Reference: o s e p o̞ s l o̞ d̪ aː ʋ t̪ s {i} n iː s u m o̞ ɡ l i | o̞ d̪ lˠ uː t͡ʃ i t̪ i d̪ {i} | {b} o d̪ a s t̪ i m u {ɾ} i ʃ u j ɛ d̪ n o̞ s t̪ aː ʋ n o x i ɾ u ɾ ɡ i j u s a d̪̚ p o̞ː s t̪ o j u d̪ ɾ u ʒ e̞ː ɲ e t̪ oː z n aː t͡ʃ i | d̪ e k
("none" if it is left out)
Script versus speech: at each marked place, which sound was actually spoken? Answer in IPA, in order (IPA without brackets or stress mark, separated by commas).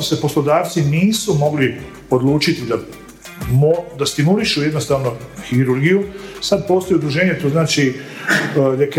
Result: i, a, m, l